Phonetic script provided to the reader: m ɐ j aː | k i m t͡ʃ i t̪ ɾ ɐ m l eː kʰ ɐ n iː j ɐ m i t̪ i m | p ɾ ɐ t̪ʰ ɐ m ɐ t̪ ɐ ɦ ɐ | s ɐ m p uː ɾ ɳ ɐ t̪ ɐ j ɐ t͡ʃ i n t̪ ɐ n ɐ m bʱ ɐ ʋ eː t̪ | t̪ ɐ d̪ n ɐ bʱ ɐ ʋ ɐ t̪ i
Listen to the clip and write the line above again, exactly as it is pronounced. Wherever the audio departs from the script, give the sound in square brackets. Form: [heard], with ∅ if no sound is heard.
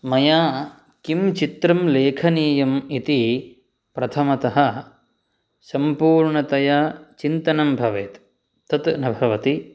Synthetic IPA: m ɐ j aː | k i m t͡ʃ i t̪ ɾ ɐ m l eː kʰ ɐ n iː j ɐ m i t̪ i [∅] | p ɾ ɐ t̪ʰ ɐ m ɐ t̪ ɐ ɦ ɐ | s ɐ m p uː ɾ ɳ ɐ t̪ ɐ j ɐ t͡ʃ i n t̪ ɐ n ɐ m bʱ ɐ ʋ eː t̪ | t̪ ɐ [t̪] n ɐ bʱ ɐ ʋ ɐ t̪ i